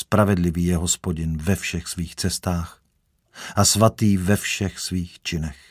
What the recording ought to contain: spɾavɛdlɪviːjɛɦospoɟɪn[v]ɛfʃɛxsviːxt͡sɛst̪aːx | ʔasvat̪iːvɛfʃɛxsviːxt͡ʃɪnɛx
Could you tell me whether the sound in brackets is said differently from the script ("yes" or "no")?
no